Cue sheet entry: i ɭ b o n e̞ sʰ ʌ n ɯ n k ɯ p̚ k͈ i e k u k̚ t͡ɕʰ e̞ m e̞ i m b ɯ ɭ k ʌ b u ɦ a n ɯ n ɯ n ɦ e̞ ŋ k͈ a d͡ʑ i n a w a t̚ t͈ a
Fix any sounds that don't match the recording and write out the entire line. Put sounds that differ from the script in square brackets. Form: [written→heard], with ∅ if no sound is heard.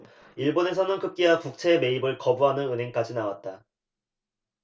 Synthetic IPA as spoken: i ɭ b o n e̞ sʰ ʌ n ɯ n k ɯ p̚ k͈ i [e→a] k u k̚ t͡ɕʰ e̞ m e̞ i [m→∅] b ɯ ɭ k ʌ b u ɦ a n ɯ n ɯ n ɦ e̞ ŋ k͈ a d͡ʑ i n a w a t̚ t͈ a